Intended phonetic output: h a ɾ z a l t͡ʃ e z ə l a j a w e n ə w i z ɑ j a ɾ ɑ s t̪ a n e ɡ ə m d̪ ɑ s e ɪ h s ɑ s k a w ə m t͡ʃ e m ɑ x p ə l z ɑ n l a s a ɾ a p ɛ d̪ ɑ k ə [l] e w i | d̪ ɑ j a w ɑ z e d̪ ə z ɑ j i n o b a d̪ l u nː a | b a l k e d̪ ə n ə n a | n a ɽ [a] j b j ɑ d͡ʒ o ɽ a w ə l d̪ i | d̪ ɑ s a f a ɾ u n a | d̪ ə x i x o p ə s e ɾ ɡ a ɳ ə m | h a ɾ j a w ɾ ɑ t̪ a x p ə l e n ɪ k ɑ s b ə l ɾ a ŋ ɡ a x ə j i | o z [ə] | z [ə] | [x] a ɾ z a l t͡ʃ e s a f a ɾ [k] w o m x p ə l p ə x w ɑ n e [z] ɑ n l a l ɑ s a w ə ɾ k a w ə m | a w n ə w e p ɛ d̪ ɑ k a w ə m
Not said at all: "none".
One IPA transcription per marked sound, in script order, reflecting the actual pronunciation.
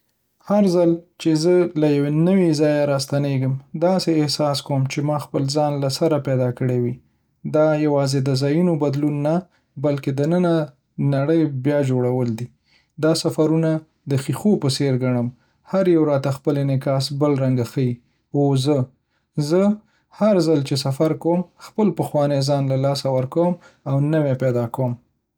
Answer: ɽ, ə, ə, ə, h, k, z

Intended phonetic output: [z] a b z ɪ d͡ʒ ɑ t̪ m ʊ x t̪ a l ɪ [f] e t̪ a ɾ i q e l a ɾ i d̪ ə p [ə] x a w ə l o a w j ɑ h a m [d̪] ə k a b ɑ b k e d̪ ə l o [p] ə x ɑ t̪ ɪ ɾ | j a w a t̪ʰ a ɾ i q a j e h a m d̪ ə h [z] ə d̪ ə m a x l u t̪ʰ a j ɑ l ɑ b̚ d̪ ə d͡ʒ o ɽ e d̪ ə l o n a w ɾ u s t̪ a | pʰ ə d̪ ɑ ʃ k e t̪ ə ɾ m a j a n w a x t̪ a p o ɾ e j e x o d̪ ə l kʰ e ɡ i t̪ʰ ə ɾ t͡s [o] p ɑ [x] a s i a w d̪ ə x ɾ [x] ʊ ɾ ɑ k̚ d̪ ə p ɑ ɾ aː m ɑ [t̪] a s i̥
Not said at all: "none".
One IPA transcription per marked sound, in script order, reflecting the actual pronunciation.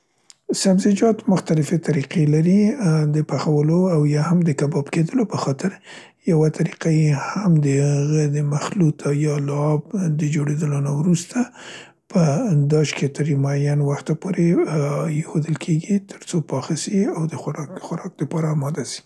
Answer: s, f, a, d̪, p, ɣ, o, x, x, d̪

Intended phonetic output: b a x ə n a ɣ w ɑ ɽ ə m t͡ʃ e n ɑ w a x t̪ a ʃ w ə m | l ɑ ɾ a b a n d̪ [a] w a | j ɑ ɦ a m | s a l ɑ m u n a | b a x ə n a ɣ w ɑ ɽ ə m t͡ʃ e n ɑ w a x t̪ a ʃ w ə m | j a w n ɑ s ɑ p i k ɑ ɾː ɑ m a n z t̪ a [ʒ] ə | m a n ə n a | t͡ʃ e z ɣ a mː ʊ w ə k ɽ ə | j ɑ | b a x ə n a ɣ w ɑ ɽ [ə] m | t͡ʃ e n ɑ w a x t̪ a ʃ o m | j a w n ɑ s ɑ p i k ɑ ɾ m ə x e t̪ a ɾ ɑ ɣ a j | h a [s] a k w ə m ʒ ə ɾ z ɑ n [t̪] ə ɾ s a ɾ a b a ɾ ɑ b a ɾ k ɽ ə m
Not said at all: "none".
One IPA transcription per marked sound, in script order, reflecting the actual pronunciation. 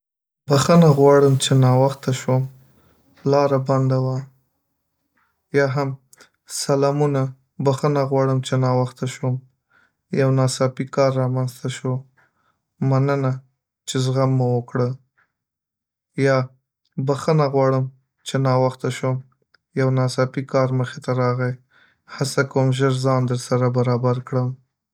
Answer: a, ʃ, ə, s, d̪

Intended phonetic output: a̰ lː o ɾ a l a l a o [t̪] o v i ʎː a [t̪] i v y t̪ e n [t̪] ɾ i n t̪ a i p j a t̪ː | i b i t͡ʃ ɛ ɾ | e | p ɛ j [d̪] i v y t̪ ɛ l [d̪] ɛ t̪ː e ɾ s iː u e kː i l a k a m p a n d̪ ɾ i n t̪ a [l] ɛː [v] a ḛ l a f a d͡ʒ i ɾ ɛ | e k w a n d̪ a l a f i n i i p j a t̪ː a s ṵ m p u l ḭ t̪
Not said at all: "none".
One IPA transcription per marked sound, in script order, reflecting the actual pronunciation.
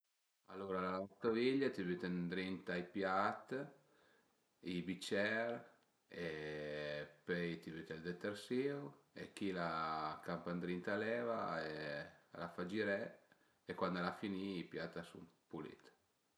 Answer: t̪, t̪, d̪, t̪, d̪, l, v

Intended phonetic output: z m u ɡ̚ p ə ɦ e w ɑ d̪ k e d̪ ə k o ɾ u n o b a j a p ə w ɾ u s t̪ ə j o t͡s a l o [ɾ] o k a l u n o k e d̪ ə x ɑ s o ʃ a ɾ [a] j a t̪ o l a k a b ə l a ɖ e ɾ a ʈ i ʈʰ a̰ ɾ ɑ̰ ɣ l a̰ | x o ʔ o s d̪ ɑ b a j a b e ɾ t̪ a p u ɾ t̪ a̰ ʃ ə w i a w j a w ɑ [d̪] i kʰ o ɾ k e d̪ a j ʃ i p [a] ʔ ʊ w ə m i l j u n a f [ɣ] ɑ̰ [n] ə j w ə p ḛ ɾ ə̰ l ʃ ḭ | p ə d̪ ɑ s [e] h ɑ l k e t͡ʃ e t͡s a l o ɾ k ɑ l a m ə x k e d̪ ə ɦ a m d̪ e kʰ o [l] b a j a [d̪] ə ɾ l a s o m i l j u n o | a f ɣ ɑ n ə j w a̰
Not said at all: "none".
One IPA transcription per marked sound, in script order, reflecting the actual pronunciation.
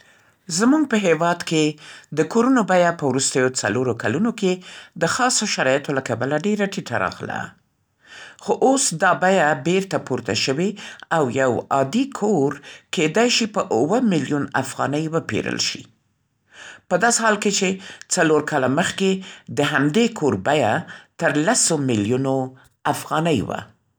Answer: ɾ, ɑ, d̪, ə, ɣ, n, e, ɾ, t̪

